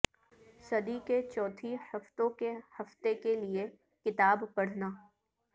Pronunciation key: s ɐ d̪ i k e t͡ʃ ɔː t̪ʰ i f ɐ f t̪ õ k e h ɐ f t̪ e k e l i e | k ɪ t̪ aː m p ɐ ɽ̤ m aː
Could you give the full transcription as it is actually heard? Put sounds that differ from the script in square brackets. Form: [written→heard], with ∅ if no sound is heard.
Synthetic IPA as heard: s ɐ d̪ i k e t͡ʃ ɔː t̪ʰ i [f→h] ɐ f t̪ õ k e h ɐ f t̪ e k e l i e | k ɪ t̪ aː [m→b] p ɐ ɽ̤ [m→n] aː